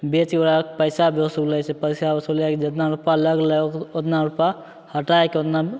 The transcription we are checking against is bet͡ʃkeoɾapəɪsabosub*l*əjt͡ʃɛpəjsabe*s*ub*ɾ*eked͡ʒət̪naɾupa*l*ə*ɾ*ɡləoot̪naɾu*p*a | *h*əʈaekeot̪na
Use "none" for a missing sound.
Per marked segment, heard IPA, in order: l, s, l, l, none, p, h

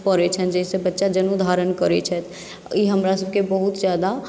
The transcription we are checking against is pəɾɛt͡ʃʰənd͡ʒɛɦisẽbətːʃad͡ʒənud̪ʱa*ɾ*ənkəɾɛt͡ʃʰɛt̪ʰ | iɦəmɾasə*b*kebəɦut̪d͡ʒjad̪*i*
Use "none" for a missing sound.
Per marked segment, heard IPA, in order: ɾ, b, a

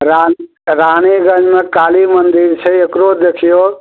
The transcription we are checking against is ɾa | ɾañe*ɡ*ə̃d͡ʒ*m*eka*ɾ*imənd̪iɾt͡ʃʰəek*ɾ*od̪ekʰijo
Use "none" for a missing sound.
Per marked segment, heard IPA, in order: ɡ, m, l, ɾ

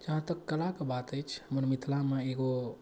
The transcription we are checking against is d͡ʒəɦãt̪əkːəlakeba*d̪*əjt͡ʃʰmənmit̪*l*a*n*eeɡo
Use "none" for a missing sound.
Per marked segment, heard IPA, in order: t̪, l, m

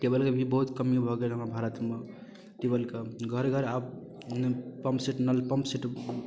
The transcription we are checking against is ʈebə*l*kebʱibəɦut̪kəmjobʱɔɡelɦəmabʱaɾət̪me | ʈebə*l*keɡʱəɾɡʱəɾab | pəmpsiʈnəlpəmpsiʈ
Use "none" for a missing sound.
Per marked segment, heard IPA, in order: l, l

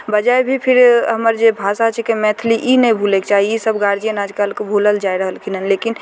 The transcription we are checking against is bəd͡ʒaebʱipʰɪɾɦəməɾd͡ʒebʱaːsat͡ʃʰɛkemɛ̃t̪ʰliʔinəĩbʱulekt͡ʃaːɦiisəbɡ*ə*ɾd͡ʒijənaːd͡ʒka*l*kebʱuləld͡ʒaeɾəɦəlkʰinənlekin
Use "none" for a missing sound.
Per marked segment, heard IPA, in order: a, l

